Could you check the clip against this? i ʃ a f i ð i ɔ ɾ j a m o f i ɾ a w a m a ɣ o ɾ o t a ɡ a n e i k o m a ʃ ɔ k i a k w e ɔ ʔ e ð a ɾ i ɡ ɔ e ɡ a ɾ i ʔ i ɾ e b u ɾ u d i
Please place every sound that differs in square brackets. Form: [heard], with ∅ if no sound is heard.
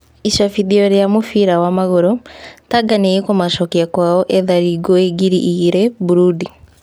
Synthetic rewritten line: i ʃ a f i ð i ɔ ɾ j a m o f i ɾ a w a m a ɣ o ɾ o t a ɡ a n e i k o m a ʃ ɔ k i a k w [a] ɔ ʔ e ð a ɾ i ɡ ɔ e ɡ [i] ɾ i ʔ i ɾ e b u ɾ u d i